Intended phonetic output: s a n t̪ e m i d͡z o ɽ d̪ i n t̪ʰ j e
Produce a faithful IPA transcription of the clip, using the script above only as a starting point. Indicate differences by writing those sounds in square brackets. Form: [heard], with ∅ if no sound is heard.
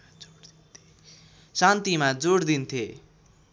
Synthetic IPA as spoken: s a n t̪ [i] m [a] d͡z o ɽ d̪ i n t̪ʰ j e

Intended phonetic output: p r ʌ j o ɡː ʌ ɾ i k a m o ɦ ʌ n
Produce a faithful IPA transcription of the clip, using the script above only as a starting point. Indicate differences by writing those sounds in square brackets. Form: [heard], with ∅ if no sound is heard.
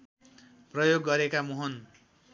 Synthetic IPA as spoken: p r ʌ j o ɡː ʌ ɾ [e] k a m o ɦ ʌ n

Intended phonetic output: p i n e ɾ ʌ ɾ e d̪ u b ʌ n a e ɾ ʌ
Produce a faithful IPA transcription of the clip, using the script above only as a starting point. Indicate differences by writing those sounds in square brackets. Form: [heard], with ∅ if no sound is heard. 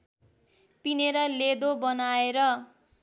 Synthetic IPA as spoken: p i n e ɾ ʌ [l] e d̪ [o] b ʌ n a e ɾ ʌ

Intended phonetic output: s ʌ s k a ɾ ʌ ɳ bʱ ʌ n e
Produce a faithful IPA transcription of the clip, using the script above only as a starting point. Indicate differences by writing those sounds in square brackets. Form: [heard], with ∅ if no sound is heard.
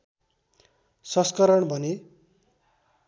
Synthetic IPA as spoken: s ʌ s k [ʌ] ɾ ʌ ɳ bʱ ʌ n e

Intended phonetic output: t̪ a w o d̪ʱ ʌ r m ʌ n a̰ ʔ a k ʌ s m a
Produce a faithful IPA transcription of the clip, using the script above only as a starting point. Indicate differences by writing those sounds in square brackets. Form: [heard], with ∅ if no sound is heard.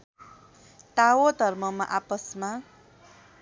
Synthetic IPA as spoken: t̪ a w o d̪ʱ ʌ r m ʌ [m] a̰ ʔ a [p] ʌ s m a

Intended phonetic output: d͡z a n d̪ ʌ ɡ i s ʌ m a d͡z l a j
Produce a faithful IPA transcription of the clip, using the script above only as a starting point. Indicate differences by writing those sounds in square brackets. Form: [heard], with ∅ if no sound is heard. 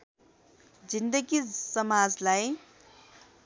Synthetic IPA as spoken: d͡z [i] n d̪ [ə] ɡ i s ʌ m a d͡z l a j

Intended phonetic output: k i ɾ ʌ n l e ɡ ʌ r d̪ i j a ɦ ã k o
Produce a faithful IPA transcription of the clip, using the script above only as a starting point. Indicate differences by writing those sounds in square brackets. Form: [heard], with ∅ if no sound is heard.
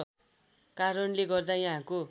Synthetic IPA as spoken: k [a] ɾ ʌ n l e ɡ ʌ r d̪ [a] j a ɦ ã k o

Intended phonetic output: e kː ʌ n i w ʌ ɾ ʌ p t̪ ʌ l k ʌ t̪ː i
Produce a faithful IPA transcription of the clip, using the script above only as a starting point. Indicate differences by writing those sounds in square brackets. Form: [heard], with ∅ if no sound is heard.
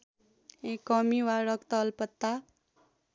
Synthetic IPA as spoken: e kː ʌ [m] i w [a] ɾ ʌ [k] t̪ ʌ l [p] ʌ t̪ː [a]

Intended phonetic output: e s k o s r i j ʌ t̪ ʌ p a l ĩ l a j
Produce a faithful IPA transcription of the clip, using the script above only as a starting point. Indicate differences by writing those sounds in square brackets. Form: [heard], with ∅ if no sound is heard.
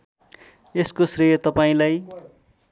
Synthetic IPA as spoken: e s k o s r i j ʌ t̪ ʌ p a [∅] ĩ l a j

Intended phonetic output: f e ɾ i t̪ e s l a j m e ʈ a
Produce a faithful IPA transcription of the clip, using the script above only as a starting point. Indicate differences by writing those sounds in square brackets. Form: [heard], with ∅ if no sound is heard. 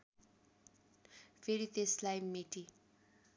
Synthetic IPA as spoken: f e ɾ i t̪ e s l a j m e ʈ [i]

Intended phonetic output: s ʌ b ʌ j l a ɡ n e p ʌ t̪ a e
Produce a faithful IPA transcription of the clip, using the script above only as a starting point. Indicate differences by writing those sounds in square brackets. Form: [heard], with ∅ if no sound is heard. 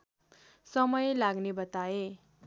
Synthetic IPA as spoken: s ʌ [m] ʌ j l a ɡ n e [b] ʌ t̪ a e

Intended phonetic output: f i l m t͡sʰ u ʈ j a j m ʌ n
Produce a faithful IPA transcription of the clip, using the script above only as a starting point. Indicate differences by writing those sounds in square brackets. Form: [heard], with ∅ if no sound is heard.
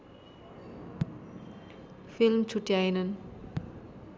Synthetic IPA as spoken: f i l m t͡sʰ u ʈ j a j [n] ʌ n

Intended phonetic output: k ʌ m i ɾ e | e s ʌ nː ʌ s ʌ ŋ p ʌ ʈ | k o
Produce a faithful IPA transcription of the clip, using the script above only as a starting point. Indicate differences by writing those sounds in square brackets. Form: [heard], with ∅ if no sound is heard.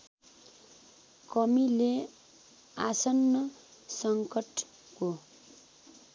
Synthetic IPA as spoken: k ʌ m i [l] e | [a] s ʌ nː ʌ s ʌ ŋ [k] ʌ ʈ | k o

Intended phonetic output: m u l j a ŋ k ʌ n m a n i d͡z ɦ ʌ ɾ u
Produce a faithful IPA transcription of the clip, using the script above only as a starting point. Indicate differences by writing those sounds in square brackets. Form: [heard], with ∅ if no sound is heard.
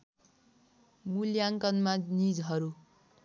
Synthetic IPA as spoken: m u l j a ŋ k ʌ n m a n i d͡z ɦ ʌ ɾ u

